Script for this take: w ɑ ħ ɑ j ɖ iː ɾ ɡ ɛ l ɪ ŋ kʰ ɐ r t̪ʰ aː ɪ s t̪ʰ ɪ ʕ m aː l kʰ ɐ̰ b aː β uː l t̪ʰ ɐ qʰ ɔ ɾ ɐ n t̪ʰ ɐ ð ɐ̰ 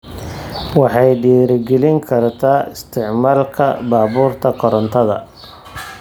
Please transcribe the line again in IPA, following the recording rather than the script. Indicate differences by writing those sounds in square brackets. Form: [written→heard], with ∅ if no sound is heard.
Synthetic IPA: w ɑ ħ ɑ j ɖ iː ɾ ɡ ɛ l ɪ ŋ kʰ ɐ r t̪ʰ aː ɪ s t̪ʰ ɪ ʕ m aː l kʰ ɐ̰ b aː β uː [l→r] t̪ʰ ɐ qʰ ɔ ɾ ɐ n t̪ʰ ɐ ð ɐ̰